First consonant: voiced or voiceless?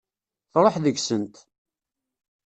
voiceless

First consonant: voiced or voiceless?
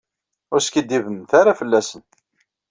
voiced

